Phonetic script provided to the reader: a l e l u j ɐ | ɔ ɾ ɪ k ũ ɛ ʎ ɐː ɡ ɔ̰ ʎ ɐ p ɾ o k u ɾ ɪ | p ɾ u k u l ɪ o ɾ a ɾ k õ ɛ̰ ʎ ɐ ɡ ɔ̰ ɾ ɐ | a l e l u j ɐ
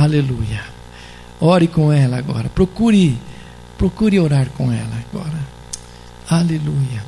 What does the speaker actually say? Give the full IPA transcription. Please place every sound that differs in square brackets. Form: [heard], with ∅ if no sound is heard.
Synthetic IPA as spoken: a l e l u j ɐ | ɔ ɾ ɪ k [õ] ɛ [l] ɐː ɡ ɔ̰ [ɾ] ɐ p ɾ o k u ɾ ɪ | p ɾ [o] k u [ɾ] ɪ o ɾ a ɾ k õ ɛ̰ [l] ɐ ɡ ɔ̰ ɾ ɐ | a l e l u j ɐ